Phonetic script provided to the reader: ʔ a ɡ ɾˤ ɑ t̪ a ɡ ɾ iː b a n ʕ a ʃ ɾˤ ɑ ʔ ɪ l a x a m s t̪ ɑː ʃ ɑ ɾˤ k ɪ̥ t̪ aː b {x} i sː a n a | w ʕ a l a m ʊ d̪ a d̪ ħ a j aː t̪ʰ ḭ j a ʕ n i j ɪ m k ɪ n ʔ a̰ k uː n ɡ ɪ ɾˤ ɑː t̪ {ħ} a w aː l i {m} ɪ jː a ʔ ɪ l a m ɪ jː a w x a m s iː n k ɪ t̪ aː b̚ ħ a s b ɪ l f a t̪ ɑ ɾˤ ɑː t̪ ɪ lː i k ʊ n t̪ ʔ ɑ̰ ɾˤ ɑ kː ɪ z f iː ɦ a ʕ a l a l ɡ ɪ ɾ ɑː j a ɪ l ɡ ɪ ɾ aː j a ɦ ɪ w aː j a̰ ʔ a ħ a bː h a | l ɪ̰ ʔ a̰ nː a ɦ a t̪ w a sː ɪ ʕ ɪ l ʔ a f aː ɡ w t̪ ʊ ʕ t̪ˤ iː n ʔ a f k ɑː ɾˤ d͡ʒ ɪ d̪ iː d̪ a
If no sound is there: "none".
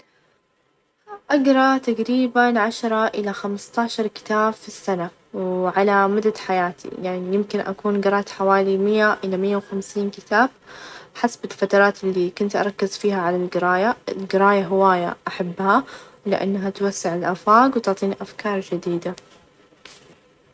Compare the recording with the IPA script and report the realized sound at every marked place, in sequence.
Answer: f, ħ, m

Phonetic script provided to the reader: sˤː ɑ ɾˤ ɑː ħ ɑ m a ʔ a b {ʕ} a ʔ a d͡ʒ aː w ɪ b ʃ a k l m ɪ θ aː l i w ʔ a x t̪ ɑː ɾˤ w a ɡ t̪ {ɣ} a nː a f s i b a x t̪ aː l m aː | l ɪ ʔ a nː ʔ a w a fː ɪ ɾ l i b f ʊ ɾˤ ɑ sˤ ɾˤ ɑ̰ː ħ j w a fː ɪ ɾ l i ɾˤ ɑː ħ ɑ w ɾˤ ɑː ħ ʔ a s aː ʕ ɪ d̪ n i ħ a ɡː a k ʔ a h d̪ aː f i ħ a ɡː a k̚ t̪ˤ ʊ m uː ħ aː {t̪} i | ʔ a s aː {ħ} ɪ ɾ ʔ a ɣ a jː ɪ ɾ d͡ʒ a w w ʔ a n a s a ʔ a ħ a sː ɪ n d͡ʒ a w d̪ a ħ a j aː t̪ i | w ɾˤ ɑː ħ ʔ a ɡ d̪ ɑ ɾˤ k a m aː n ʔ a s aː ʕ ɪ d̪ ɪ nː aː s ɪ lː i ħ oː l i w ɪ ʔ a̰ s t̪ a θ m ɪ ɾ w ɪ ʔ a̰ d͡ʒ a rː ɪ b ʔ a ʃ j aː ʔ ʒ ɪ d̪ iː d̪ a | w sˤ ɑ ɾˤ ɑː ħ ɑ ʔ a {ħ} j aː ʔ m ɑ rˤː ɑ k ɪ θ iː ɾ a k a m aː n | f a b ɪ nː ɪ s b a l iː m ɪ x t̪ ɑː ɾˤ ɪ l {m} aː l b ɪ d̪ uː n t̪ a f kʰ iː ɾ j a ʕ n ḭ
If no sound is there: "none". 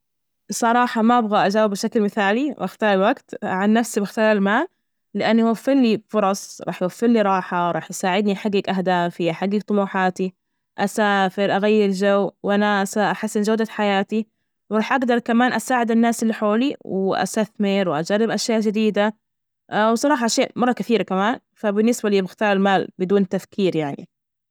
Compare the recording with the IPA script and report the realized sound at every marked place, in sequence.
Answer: ɣ, ʕ, t̪, f, ʃ, m

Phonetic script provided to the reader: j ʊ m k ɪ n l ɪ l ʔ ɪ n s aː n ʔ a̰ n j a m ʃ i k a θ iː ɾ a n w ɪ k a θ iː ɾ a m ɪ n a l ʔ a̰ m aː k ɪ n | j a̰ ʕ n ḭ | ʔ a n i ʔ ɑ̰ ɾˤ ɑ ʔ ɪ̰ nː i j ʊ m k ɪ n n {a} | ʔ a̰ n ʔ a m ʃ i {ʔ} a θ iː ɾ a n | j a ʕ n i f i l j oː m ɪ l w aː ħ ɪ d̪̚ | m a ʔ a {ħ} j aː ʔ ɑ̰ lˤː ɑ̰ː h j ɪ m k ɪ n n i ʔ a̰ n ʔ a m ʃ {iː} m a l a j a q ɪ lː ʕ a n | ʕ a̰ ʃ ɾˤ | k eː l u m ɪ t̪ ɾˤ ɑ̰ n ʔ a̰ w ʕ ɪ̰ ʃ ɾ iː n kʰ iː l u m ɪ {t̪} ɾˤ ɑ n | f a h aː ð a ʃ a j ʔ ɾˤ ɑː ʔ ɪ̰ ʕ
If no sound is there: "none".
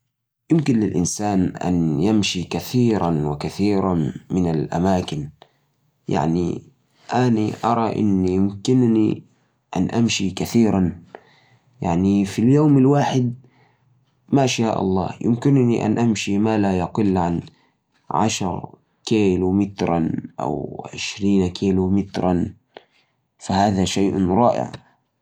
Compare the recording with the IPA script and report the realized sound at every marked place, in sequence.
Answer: i, k, ʃ, i, t̪

